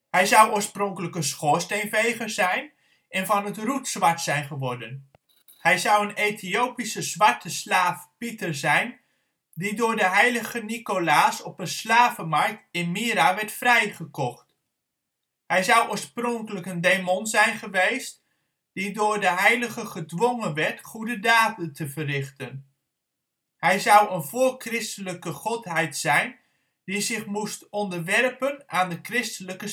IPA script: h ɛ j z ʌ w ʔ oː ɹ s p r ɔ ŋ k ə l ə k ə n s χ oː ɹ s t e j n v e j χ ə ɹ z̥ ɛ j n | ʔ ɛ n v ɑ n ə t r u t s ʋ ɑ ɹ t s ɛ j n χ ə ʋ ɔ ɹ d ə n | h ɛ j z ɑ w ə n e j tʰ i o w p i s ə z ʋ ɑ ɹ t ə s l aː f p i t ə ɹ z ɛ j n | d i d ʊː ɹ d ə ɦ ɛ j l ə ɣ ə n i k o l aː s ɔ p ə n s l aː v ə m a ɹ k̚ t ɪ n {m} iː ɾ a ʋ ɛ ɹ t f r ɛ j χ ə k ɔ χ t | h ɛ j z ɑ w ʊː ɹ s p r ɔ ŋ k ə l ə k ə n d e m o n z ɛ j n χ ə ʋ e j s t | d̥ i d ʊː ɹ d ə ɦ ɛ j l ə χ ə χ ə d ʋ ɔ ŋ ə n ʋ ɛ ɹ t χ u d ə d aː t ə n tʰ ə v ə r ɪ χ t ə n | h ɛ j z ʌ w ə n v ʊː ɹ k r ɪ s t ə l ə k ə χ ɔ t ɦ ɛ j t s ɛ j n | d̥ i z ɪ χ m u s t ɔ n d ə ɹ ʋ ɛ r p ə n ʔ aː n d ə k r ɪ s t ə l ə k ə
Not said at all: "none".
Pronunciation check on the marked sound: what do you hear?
m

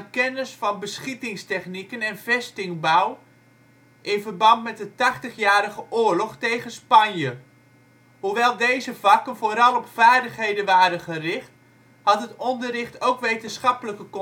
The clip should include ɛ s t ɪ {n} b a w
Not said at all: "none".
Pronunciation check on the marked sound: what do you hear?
ŋ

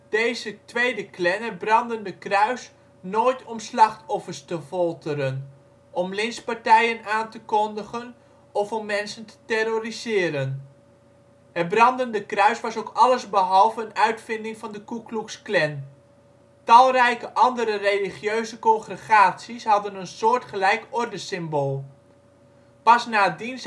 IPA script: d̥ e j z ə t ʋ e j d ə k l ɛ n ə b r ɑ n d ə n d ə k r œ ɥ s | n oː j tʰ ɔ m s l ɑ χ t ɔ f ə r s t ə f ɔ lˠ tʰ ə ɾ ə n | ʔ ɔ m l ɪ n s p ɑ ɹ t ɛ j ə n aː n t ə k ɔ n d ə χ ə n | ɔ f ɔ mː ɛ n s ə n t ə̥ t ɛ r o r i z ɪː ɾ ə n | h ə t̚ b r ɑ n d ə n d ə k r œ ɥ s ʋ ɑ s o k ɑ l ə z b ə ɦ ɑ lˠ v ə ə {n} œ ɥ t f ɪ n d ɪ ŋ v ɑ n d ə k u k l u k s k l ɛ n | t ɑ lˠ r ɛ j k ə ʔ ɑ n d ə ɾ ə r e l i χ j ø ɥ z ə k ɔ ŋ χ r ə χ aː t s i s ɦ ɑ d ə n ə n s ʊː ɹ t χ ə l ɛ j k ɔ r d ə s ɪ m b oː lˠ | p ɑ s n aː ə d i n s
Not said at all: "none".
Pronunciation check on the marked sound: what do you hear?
n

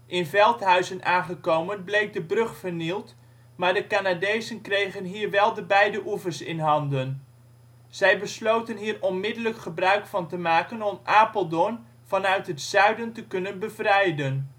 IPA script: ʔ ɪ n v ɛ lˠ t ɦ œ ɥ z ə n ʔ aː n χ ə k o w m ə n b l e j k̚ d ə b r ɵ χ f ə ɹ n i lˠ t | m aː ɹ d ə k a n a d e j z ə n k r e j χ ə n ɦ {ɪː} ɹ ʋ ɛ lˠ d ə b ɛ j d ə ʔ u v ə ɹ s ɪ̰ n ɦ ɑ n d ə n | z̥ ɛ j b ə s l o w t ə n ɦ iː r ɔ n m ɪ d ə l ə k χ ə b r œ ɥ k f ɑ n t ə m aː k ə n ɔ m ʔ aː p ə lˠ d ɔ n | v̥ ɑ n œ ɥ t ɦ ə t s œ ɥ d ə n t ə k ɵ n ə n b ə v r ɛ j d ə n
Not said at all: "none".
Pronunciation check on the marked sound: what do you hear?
iː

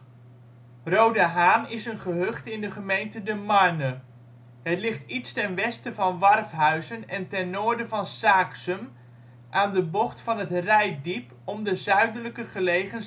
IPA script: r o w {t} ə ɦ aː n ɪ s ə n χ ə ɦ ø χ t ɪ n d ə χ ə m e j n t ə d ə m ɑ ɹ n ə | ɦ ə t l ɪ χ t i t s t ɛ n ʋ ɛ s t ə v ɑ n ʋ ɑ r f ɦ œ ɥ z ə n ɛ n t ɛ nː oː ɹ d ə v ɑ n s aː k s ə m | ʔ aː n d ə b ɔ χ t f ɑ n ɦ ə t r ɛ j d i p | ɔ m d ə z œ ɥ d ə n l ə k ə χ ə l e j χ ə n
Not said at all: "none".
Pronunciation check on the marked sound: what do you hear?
d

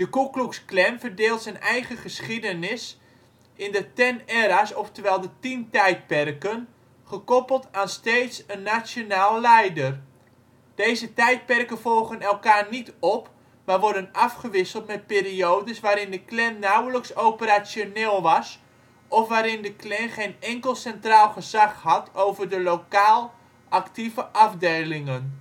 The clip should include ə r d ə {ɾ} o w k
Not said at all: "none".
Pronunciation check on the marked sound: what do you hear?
l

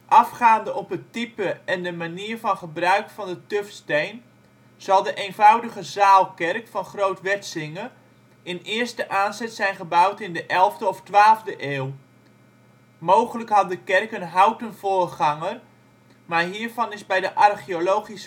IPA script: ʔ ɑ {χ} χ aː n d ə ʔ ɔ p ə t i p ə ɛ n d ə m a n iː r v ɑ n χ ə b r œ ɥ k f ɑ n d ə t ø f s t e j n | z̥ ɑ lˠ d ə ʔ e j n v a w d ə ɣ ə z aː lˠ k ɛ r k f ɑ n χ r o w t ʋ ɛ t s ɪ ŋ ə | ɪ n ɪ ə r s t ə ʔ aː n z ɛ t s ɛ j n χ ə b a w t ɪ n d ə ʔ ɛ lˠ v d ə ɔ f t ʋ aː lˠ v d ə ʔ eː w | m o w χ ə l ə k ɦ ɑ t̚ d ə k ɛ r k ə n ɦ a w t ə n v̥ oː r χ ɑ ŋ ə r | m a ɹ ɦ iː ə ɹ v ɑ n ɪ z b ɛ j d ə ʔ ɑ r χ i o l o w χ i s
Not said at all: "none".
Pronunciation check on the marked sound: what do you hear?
f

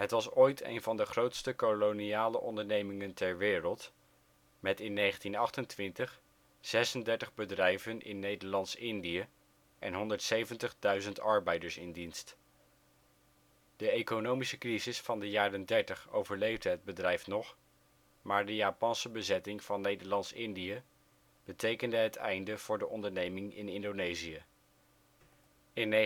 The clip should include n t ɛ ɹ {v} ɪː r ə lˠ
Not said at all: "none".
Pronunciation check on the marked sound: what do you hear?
ʋ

